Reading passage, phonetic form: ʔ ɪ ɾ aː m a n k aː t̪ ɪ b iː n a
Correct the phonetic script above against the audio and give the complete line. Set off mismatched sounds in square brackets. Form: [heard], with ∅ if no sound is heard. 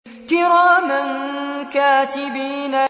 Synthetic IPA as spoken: [k] ɪ ɾ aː m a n k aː t̪ ɪ b iː n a